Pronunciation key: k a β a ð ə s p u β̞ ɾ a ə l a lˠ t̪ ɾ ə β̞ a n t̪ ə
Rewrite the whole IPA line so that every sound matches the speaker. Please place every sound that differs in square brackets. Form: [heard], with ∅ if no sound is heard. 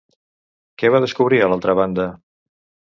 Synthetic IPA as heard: k [ɛ] β a ð ə s [k] u β̞ ɾ [i] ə l a lˠ t̪ ɾ ə β̞ a n [d̪] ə